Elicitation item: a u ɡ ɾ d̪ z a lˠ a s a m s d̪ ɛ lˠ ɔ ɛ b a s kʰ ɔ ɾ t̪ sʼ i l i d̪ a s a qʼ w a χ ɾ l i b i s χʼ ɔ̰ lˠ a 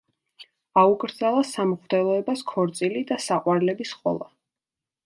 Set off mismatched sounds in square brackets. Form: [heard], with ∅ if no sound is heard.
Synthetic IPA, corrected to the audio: a u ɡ ɾ d̪ z a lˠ a s a m [χ] d̪ ɛ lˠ ɔ ɛ b a s kʰ ɔ ɾ t̪ sʼ i l i d̪ a s a qʼ w a [∅] ɾ l [ɛ] b i s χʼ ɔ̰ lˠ a